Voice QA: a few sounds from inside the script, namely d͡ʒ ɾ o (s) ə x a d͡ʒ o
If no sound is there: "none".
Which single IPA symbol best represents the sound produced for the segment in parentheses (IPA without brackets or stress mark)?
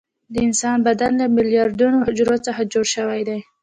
t͡s